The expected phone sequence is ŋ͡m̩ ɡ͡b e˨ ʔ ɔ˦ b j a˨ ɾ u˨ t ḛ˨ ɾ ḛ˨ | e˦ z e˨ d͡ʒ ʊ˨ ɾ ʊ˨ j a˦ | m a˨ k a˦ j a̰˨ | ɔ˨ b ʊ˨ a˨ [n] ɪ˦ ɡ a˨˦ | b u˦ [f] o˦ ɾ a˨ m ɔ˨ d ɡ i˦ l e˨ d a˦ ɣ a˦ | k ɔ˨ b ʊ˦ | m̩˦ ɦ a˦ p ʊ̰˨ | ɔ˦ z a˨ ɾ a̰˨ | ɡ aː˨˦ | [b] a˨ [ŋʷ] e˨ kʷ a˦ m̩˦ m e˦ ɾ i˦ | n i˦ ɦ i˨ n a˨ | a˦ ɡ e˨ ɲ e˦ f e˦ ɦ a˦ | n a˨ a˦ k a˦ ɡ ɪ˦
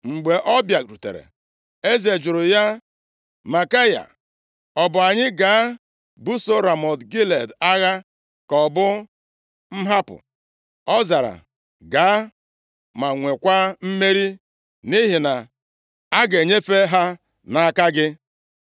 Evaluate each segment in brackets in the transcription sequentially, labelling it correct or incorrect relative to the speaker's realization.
incorrect: ɲ, incorrect: s, incorrect: m, correct

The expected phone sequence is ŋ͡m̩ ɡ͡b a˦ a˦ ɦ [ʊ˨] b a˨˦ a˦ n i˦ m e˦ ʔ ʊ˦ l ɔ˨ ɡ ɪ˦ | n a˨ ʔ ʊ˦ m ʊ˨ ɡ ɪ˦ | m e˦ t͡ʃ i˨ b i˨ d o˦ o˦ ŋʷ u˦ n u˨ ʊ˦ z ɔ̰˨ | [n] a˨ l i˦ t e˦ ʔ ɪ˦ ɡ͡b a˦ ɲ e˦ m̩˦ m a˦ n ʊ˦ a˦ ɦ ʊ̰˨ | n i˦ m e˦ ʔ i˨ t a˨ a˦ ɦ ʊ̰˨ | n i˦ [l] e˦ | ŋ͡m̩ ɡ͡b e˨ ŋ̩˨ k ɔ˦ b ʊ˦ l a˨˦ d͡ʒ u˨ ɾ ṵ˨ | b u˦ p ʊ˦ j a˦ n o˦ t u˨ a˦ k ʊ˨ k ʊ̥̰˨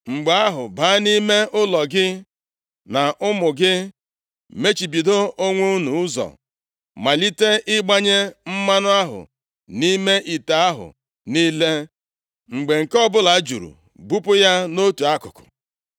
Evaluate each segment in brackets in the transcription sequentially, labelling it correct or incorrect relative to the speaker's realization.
correct, incorrect: m, correct

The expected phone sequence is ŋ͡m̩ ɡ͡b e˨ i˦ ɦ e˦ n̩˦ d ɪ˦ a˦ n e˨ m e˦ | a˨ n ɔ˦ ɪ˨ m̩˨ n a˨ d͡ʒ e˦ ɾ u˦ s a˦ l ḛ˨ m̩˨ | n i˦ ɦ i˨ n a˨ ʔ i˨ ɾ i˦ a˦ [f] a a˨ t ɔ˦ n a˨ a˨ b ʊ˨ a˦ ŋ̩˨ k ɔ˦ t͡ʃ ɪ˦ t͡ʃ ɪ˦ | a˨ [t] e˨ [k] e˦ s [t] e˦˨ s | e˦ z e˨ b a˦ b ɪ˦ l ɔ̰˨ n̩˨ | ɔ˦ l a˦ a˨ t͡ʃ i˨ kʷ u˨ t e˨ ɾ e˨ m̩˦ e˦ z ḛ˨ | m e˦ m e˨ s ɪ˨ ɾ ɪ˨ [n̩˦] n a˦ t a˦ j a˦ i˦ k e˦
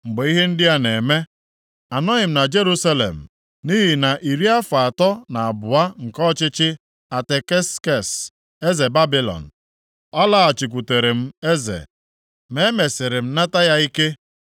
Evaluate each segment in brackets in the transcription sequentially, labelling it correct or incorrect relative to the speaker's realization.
correct, correct, correct, incorrect: k, incorrect: m̩˦

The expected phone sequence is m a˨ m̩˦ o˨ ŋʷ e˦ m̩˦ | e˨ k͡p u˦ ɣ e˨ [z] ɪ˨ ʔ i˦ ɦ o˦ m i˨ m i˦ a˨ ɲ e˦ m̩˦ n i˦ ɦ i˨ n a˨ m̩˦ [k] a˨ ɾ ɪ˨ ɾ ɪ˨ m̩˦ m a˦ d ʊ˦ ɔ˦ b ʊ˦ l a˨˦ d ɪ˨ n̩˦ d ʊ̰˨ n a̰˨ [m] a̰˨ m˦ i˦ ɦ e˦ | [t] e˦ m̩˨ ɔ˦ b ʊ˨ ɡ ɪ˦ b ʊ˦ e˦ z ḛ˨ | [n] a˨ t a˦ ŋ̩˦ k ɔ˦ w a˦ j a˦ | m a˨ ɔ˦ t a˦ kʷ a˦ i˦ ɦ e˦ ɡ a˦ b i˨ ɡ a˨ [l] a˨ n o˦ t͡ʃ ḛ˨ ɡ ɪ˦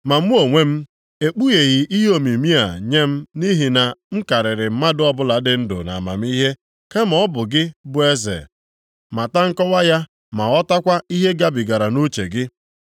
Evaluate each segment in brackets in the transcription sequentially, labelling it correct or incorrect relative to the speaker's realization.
incorrect: ɣ, correct, correct, incorrect: k, incorrect: m, incorrect: ɾ

